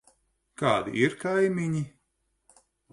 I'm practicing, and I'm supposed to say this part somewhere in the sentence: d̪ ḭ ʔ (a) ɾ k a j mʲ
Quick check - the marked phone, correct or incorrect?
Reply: incorrect